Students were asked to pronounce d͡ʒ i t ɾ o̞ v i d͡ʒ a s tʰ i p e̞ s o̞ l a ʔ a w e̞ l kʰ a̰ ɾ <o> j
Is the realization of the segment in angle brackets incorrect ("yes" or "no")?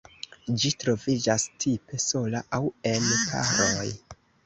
no